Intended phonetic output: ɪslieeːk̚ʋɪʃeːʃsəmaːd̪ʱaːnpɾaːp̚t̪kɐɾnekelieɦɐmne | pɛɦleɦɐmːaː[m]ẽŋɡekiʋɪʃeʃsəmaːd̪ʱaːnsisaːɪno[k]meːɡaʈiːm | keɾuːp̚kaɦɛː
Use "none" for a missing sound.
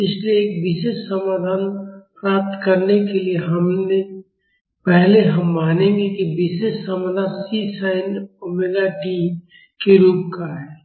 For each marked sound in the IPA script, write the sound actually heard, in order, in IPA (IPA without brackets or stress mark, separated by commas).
n, none